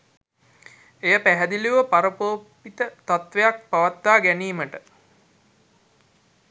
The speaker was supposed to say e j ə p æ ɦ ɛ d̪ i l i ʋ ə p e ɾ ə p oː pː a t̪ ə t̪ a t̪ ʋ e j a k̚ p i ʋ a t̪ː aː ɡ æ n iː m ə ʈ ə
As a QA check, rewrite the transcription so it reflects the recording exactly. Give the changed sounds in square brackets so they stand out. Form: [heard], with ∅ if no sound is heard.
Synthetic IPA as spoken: e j ə p æ ɦ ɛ d̪ i l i ʋ ə p [a] ɾ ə p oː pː [i] t̪ ə t̪ a t̪ ʋ e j a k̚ p [a] ʋ a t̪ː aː ɡ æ n iː m ə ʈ ə